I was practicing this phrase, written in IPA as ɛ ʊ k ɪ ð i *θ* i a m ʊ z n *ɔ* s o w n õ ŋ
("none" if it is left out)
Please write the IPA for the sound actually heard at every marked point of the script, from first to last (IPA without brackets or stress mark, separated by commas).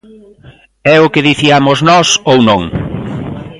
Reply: θ, ɔ